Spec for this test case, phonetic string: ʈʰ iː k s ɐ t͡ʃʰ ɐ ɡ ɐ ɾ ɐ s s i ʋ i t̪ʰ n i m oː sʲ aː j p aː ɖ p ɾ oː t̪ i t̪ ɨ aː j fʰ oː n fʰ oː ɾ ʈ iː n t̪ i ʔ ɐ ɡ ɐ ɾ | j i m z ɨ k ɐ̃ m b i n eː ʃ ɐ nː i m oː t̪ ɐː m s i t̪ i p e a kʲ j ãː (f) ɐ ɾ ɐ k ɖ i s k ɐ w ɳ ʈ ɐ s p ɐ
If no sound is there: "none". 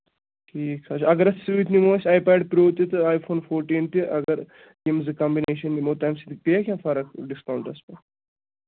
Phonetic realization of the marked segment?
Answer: f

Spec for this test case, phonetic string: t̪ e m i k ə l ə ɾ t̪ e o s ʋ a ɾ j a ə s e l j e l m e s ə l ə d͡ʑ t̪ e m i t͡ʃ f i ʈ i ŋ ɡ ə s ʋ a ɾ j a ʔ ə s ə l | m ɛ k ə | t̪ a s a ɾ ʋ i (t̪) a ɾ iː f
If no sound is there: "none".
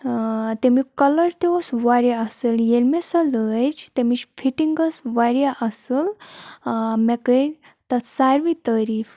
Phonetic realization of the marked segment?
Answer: t̪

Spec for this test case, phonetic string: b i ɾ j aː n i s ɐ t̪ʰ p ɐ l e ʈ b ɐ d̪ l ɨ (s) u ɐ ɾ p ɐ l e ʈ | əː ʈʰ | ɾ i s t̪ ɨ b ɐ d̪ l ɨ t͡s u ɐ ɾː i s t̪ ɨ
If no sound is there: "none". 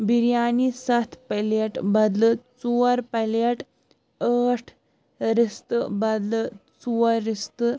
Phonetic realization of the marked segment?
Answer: t͡s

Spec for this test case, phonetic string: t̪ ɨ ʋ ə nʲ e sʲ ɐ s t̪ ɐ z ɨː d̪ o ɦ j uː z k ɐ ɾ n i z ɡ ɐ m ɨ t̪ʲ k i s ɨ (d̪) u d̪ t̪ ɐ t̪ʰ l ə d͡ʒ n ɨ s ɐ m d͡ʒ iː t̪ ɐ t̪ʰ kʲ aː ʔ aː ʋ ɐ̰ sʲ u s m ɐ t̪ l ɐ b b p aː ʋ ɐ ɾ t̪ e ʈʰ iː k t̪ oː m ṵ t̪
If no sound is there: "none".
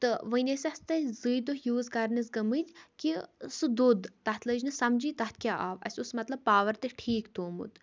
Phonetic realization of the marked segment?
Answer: d̪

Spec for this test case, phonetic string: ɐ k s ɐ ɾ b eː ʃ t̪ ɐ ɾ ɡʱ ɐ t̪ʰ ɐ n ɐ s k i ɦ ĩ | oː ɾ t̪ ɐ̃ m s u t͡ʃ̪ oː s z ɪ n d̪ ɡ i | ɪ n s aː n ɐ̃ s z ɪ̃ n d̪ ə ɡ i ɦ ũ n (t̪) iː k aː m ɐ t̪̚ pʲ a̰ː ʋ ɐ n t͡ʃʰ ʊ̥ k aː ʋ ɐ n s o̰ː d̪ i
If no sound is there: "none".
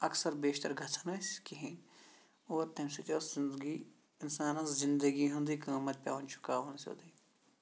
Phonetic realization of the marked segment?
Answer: d̪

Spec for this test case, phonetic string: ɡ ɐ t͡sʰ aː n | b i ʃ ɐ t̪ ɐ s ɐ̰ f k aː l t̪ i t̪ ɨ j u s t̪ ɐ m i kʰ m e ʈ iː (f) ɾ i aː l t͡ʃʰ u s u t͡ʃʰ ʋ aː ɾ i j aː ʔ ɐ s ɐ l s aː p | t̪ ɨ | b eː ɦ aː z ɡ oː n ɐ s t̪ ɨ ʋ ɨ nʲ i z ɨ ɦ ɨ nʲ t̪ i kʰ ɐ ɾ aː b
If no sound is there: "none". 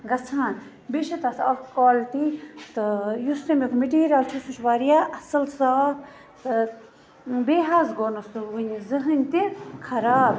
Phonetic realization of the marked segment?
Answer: none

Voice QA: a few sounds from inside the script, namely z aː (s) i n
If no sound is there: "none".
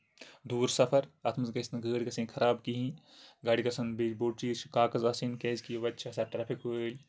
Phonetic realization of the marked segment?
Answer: s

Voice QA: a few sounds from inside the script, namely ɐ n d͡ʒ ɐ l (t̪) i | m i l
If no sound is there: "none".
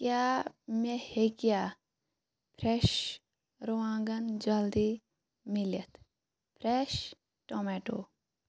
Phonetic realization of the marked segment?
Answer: d̪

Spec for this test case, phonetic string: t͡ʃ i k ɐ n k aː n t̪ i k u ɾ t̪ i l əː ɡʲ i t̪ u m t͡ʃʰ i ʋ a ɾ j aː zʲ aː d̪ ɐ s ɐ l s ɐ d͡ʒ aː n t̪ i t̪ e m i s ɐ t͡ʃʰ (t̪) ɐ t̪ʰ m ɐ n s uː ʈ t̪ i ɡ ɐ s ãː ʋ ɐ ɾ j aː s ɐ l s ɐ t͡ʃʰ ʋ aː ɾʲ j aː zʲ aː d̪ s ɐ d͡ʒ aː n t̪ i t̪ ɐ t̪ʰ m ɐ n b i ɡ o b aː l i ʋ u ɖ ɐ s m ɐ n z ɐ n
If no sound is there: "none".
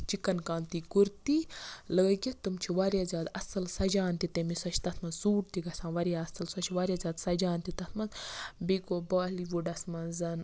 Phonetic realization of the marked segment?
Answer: t̪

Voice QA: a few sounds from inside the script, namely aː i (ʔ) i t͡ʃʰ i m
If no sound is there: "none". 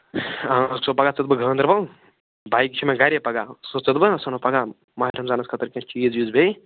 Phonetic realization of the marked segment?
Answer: k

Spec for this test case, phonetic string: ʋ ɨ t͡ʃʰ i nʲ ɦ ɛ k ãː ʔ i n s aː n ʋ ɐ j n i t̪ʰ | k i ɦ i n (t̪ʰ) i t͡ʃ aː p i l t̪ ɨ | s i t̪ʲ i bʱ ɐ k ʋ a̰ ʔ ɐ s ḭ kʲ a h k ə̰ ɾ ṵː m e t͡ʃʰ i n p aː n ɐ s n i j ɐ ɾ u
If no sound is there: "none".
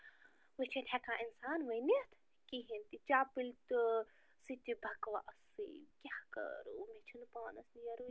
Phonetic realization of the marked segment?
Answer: t̪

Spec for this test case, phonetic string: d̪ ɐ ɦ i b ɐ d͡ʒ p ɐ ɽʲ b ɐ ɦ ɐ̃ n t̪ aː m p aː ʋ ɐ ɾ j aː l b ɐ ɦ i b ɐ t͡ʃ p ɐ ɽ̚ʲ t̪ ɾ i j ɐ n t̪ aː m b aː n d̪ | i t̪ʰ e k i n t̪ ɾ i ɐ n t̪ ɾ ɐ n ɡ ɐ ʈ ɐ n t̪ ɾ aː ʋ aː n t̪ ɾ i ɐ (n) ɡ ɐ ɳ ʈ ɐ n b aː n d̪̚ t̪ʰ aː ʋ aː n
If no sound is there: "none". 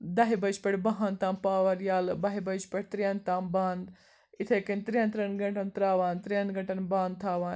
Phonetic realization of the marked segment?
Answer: n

